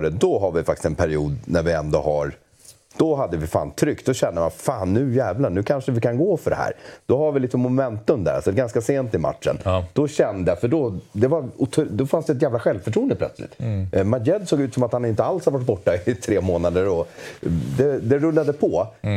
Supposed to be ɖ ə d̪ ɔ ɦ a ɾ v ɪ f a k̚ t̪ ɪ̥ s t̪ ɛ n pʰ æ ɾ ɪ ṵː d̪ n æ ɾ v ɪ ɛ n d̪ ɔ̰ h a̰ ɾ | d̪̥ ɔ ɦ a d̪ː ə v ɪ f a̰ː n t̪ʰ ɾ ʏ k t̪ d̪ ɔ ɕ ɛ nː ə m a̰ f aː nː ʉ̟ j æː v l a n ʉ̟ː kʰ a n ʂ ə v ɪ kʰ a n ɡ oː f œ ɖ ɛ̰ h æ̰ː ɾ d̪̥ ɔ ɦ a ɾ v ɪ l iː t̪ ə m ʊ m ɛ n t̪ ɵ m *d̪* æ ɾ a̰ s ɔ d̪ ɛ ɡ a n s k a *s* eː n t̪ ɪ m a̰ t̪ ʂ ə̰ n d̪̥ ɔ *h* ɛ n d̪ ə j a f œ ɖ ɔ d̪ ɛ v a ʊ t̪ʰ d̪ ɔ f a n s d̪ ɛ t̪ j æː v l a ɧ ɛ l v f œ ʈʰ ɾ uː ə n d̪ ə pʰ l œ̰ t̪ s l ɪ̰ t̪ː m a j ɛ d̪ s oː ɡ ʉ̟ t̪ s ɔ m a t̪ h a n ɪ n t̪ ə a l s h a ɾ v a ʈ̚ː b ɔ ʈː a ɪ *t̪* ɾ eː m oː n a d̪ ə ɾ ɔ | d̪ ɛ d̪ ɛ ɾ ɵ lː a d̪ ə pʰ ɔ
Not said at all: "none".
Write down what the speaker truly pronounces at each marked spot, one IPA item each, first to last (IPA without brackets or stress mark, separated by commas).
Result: d̪, s, ɕ, t̪ʰ